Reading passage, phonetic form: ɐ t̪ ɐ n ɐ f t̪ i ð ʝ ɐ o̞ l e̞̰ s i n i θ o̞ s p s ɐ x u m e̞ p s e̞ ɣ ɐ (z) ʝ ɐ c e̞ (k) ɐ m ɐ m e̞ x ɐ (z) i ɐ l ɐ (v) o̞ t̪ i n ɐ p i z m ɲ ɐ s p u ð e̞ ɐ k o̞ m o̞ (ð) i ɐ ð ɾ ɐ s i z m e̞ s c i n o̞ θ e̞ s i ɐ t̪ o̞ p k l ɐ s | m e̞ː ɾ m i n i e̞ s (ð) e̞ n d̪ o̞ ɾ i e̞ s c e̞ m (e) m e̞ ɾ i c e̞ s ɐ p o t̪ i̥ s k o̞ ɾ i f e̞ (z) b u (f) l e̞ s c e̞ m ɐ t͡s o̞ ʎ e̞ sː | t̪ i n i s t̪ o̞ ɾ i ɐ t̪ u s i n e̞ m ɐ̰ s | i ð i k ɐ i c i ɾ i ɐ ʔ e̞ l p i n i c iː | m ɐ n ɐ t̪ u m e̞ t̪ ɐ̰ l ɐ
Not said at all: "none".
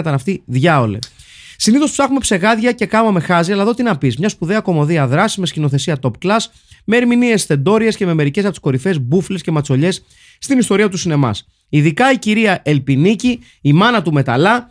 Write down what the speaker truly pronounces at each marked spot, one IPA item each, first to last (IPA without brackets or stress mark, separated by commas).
ð, k, z, ð, ð, θ, e, z, f